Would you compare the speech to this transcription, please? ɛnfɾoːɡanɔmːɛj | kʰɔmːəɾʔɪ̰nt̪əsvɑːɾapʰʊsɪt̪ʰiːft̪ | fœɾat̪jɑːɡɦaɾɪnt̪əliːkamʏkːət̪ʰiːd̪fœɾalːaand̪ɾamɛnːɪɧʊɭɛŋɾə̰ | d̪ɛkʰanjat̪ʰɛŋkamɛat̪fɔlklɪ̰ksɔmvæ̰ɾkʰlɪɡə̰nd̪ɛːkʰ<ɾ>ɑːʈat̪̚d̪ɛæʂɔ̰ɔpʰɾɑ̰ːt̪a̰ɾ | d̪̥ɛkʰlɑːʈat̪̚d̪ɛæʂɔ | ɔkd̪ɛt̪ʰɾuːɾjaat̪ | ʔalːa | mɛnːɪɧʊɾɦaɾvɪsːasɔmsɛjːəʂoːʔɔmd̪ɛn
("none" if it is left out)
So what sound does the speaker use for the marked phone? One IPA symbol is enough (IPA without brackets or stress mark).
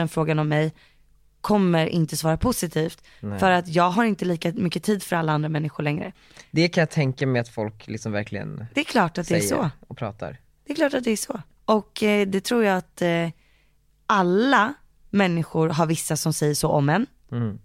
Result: l